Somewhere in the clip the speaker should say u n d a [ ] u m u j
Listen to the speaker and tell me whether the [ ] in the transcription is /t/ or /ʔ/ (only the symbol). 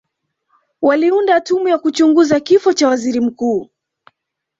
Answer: t